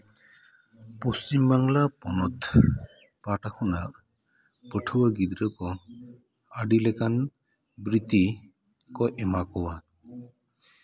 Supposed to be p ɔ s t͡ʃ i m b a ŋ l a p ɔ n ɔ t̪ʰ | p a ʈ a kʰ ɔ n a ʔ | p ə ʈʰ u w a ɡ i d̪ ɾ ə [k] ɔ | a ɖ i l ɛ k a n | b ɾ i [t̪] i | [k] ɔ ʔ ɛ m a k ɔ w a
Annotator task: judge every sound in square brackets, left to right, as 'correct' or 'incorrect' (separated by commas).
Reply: correct, correct, correct